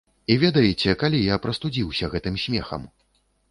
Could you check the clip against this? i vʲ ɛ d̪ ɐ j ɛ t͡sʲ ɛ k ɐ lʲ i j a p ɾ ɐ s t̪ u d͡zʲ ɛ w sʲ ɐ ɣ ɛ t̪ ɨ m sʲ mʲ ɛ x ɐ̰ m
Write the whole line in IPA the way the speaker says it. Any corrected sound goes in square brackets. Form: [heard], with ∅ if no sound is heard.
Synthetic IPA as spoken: i vʲ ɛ d̪ ɐ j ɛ t͡sʲ ɛ k [a] lʲ i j a p ɾ ɐ s t̪ u d͡zʲ [i] w sʲ ɐ ɣ ɛ t̪ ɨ m sʲ mʲ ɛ x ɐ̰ m